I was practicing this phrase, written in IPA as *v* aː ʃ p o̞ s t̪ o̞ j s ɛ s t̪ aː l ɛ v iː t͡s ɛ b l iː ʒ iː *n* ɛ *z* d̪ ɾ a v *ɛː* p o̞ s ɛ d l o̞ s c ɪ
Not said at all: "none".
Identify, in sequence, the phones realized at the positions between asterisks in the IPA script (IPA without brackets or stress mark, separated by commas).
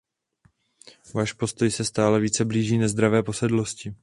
v, n, z, ɛː